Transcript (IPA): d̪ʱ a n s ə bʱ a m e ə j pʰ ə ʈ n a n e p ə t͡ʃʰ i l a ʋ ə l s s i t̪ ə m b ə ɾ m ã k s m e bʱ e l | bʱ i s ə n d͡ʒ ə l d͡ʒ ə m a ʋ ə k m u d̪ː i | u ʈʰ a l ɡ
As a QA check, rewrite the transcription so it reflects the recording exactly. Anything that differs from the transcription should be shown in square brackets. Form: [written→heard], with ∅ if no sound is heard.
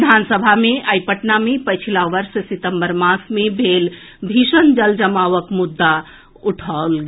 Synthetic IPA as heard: d̪ʱ a n s ə bʱ a m e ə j [pʰ→p] ə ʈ n a [n→m] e p ə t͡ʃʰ i l a ʋ ə [l→ɾ] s s i t̪ ə m b ə ɾ m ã [k→∅] s m e bʱ e l | bʱ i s ə n d͡ʒ ə l d͡ʒ ə m a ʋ ə k m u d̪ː [i→a] | u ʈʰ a l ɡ